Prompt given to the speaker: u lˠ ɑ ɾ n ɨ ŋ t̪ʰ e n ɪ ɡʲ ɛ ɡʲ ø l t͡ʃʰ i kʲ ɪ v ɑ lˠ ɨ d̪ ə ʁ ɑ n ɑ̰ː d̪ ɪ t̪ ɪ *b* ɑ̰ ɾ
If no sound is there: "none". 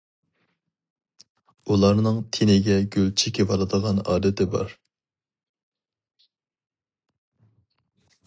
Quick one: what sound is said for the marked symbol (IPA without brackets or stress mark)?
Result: b